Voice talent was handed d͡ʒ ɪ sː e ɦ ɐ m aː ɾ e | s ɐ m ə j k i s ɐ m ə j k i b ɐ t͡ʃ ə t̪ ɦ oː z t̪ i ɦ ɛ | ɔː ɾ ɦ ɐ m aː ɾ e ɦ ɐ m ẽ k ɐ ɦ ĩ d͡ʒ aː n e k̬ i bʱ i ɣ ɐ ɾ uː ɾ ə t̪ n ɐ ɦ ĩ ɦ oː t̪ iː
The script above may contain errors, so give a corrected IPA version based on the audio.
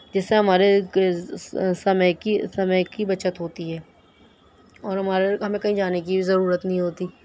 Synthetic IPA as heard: d͡ʒ ɪ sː e ɦ ɐ m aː ɾ e | s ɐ m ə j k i s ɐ m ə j k i b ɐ t͡ʃ ə t̪ ɦ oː t̪ i ɦ ɛː | ɔː ɾ ɦ ɐ m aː ɾ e ɦ ɐ m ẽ k ɐ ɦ ĩ d͡ʒ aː n e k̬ i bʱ i z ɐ ɾ uː ɾ ə t̪ n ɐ ɦ ĩ ɦ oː t̪ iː